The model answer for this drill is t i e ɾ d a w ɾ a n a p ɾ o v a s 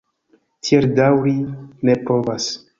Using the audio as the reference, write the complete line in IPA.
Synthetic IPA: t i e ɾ d a w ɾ i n e p ɾ o v a s